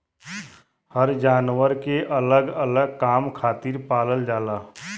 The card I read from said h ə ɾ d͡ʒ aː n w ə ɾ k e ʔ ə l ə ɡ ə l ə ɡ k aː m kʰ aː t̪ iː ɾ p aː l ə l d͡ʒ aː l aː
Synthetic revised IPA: h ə ɾ d͡ʒ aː n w ə ɾ k e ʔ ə l ə ɡ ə l ə ɡ k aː m kʰ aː t̪ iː ɾ p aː l ə l d͡ʒ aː l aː

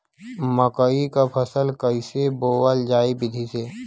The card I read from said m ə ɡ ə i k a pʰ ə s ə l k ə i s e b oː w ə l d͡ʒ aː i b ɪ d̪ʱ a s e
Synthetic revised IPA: m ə k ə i k a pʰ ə s ə l k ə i s e b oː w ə l d͡ʒ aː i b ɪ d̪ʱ i s e

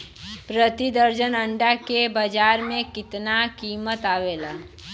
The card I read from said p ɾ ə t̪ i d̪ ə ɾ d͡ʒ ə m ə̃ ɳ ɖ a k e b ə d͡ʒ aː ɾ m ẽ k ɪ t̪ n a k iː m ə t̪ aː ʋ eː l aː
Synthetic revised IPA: p ɾ ə t̪ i d̪ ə ɾ d͡ʒ ə n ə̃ ɳ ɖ a k e b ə d͡ʒ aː ɾ m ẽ k ɪ t̪ n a k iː m ə t̪ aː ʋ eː l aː

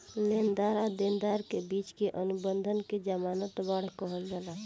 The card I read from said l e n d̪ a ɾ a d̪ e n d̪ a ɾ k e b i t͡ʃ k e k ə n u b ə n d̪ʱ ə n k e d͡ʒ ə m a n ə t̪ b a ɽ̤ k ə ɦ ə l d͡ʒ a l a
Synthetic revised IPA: l e n d̪ a ɾ a d̪ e n d̪ a ɾ k e b i t͡ʃ k e ʔ ə n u b ə n d̪ʱ ə n k e d͡ʒ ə m a n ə t̪ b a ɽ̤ k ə ɦ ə l d͡ʒ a l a

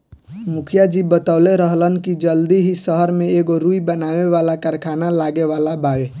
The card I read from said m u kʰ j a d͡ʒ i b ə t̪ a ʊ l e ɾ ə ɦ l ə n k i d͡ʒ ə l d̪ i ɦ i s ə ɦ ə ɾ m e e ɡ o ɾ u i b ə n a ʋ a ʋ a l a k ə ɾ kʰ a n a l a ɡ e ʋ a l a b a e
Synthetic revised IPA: m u kʰ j a d͡ʒ i b ə t̪ a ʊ l e ɾ ə ɦ l ə n k i d͡ʒ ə l d̪ i ɦ i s ə ɦ ə ɾ m e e ɡ o ɾ u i b ə n a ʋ e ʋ a l a k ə ɾ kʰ a n a l a ɡ e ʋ a l a b a e

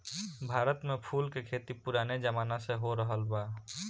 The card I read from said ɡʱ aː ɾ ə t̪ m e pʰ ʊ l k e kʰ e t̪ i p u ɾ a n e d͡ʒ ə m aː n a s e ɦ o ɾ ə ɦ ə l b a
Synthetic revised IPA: bʱ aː ɾ ə t̪ m e pʰ u l k e kʰ e t̪ i p u ɾ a n e d͡ʒ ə m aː n a s e ɦ o ɾ ə ɦ ə l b a

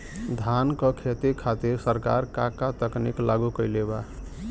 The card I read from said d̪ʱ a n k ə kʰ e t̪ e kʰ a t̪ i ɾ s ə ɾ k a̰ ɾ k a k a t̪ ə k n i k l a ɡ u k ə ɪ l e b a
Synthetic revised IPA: d̪ʱ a n k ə kʰ e t̪ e kʰ a t̪ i ɾ s ə ɾ k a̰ ɾ k a k a t̪ ə k n i k l a ɡ u k ə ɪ l e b a

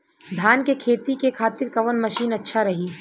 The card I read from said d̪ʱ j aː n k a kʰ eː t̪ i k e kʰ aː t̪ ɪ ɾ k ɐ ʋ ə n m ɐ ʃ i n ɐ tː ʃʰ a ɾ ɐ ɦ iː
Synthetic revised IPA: d̪ʱ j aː n k e kʰ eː t̪ i k e kʰ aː t̪ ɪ ɾ k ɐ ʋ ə n m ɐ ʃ iː n ɐ tː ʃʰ a ɾ ɐ ɦ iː

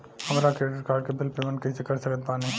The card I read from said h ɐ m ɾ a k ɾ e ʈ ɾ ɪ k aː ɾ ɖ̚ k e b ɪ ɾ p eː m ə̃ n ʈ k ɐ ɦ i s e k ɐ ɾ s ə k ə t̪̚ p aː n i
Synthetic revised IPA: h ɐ m ɾ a k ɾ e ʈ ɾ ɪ k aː ɾ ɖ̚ k e b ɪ l p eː m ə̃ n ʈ k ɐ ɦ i s e k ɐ ɾ s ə k ə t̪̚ p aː n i

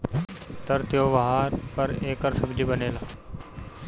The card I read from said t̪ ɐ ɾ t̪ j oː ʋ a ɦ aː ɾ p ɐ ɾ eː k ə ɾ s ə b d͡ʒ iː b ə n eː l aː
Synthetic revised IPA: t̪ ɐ ɾ t̪ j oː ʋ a ɦ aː ɾ p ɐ ɾ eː k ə ɾ s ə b d͡ʒ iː b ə n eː l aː

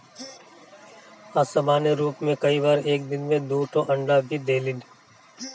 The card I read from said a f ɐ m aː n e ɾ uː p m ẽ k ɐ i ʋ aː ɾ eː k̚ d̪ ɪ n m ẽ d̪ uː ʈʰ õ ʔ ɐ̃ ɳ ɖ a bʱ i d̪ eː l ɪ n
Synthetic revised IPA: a s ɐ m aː n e ɾ uː p m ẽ k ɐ i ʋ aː ɾ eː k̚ d̪ ɪ n m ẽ d̪ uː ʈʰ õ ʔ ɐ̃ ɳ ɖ a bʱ i d̪ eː l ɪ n

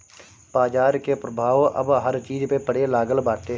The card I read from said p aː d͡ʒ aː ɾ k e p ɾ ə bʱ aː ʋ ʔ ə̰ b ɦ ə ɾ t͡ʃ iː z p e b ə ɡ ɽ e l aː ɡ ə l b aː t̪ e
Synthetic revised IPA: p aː d͡ʒ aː ɾ k e p ɾ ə bʱ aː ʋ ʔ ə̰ b ɦ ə ɾ t͡ʃ iː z p e p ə ɽ e l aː ɡ ə l b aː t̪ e

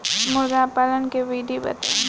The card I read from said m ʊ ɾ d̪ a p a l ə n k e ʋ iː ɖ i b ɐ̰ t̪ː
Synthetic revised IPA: m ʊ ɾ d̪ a p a l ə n k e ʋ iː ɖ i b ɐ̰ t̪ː

